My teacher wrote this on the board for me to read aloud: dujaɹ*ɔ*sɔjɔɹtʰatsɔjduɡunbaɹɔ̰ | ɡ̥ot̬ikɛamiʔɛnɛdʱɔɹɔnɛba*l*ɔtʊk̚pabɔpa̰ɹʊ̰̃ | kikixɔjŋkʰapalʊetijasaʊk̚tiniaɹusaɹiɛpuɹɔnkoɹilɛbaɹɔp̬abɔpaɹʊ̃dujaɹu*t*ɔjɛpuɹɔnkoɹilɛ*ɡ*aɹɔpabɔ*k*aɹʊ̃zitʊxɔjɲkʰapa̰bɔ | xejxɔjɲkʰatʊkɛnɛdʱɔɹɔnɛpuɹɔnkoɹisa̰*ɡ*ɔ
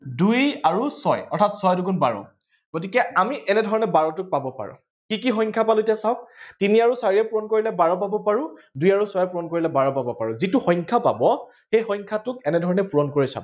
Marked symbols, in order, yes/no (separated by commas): no, no, no, no, no, no